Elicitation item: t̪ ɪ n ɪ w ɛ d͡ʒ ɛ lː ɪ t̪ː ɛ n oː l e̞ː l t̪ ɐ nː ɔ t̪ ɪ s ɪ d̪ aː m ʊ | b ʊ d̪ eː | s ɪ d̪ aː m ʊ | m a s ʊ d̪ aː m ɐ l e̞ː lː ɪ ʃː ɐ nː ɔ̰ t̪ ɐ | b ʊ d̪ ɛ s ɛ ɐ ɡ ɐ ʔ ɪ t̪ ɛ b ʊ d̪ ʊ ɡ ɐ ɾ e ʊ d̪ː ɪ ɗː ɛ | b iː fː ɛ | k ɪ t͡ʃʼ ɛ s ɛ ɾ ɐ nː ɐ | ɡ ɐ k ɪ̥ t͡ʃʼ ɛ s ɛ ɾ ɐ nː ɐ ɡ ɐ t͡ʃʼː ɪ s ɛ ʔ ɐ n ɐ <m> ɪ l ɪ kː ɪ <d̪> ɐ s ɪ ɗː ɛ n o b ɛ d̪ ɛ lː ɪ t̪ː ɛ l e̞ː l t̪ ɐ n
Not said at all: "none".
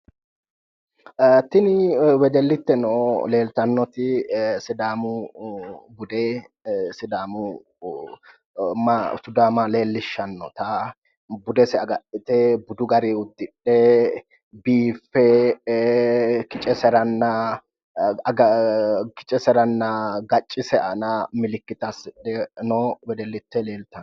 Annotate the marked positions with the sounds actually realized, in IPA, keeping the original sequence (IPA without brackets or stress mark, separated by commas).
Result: m, t̪